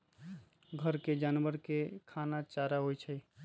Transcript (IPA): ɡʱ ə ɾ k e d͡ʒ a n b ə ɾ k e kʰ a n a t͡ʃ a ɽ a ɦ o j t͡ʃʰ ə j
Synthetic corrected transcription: ɡʱ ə ɾ k e d͡ʒ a n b ə ɾ k e kʰ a n a t͡ʃ a ɾ a ɦ o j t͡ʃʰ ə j